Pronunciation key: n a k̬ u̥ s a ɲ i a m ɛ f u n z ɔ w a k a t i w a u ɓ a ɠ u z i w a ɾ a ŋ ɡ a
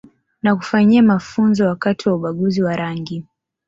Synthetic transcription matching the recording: n a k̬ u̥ f a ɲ i a m a f u n z ɔ w a k a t i w a u ɓ a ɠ u z i w a ɾ a ŋ ɡ i